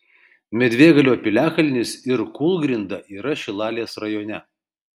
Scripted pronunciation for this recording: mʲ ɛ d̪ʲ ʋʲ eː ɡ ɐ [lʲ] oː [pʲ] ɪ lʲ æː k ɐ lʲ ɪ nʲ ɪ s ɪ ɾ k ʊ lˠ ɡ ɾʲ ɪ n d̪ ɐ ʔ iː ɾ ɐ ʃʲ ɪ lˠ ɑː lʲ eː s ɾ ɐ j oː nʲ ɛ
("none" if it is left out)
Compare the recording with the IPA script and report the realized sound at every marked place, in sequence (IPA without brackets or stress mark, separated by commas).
lʲ, pʲ